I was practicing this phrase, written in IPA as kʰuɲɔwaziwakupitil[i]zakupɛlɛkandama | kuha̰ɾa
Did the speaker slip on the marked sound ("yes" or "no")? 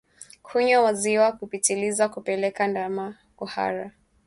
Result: no